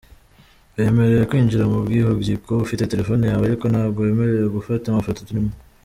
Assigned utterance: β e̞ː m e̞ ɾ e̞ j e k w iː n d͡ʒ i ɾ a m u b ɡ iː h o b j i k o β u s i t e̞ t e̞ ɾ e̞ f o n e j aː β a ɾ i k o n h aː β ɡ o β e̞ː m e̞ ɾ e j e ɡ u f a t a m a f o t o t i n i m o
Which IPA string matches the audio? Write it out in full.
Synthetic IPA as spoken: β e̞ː m e̞ ɾ e̞ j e k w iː n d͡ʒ i ɾ a m u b ɡ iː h o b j i k o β u f i t e̞ t e̞ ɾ e̞ f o n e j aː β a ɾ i k o n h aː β ɡ o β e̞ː m e̞ ɾ e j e ɡ u f a t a m a f o t o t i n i m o

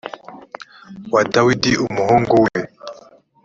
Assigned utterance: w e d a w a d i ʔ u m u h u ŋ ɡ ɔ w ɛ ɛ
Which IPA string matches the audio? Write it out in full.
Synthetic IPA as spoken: w a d a w i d i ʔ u m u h ɔ ŋ ɡ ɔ w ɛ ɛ

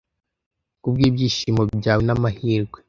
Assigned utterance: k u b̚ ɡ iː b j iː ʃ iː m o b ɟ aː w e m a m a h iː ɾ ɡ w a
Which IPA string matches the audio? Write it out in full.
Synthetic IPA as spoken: k u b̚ ɡ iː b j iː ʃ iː m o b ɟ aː w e n a m a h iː ɾ ɡ w e

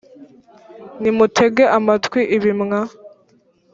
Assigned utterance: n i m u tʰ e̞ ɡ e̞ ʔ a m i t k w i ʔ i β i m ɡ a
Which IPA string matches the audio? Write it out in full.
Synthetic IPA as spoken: n i m u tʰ e̞ ɡ e̞ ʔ a m a t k w i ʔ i β i m ŋ a

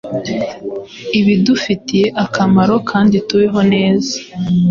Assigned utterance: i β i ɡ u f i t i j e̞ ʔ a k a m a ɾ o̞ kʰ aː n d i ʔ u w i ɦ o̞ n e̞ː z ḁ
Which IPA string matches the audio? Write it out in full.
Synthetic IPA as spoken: i β i d u f i t i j e̞ ʔ a k a m a ɾ o̞ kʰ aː n d i t u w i ɦ o̞ n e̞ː z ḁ

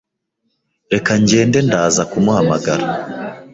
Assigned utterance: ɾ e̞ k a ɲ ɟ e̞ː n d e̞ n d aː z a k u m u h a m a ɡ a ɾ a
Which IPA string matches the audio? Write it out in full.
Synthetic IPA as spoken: ɾ e̞ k a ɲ ɟ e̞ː n d e̞ n d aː z a k u m u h a m a ɡ a ɾ a

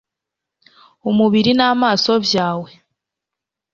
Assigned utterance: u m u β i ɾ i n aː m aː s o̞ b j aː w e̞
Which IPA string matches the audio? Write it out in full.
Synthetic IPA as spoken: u m u β i ɾ i n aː m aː s o̞ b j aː w e̞

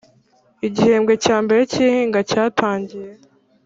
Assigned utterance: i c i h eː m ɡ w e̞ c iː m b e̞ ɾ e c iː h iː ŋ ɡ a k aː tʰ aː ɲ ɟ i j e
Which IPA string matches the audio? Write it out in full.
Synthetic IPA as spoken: i ɟ i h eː m ɡ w e̞ c aː m b e̞ ɾ e c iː h iː ŋ ɡ a c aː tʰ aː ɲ ɟ i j e

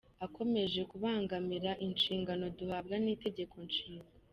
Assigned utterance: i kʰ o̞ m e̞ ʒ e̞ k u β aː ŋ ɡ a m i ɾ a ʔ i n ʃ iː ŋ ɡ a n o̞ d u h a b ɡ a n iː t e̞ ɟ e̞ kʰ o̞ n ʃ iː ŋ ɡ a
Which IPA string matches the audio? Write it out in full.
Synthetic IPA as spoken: a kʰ o̞ m e̞ ʒ e̞ k u β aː ŋ ɡ a m i ɾ a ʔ i n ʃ iː ŋ ɡ a n o̞ d u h a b ɡ a n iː t e̞ ɟ e̞ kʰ o̞ n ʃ iː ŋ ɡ a

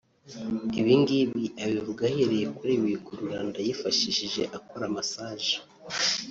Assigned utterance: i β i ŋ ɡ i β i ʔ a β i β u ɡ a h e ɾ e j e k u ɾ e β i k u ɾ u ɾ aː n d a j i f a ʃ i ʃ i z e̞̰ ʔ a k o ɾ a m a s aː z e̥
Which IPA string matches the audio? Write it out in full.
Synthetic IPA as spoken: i β i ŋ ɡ i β i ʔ a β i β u ɡ a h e ɾ e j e k u ɾ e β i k u ɾ u ɾ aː n d a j i f a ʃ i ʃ i ʒ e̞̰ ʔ a k o ɾ a m a s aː ʒ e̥

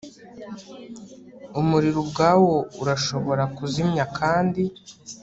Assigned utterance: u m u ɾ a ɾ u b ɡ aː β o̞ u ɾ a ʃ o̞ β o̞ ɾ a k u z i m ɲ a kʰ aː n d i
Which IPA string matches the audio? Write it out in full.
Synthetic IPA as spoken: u m u ɾ i ɾ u b ɡ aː w o̞ u ɾ a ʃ o̞ β o̞ ɾ a k u z i m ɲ a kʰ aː n d i

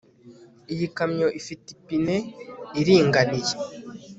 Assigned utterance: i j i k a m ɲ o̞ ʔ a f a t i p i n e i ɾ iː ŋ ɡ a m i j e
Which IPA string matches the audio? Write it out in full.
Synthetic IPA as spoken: i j i k a m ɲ o̞ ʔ i f i t i p i n e i ɾ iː ŋ ɡ a n i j e

